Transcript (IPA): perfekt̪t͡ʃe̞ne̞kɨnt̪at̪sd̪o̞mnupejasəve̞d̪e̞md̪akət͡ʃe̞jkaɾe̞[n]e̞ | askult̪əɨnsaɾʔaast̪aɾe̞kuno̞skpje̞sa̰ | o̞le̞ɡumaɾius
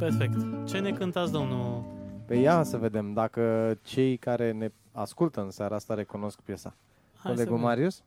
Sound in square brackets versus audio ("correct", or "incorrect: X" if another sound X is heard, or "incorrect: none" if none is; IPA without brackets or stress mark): correct